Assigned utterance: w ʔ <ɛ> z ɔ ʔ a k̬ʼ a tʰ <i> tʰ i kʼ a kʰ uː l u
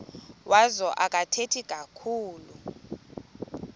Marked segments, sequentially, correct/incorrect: incorrect: a, incorrect: e

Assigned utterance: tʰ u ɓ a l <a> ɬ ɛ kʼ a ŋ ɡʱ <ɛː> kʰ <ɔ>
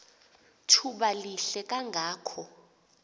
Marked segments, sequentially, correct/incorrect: incorrect: i, incorrect: aː, correct

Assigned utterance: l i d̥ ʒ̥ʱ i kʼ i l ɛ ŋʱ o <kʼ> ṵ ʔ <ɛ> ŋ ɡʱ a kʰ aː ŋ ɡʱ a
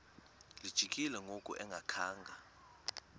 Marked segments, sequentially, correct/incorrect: correct, correct

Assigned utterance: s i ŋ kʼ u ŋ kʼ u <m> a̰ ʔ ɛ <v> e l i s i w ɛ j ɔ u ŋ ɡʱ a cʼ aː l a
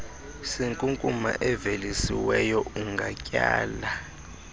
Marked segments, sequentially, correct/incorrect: correct, correct

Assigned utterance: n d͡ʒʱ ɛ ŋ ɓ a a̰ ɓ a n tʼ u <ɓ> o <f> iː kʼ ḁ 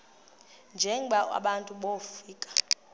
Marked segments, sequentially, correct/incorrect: correct, correct

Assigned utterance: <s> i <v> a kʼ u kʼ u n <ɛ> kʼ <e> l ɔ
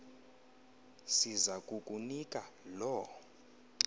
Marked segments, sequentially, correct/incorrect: correct, incorrect: z, incorrect: i, incorrect: a

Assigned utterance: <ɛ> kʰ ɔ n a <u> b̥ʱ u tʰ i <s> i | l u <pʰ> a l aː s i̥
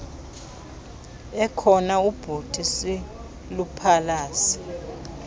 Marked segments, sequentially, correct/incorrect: correct, correct, correct, correct

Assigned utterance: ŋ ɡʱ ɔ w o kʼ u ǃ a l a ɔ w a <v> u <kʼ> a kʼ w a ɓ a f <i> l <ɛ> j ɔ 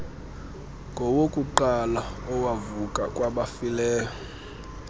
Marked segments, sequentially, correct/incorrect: correct, correct, correct, incorrect: ɛː

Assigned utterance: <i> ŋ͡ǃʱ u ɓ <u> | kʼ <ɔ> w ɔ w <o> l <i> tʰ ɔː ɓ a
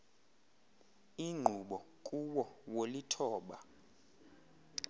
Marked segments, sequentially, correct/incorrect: correct, incorrect: ɔ, incorrect: u, correct, correct

